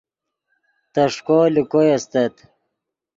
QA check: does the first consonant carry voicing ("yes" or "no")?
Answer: no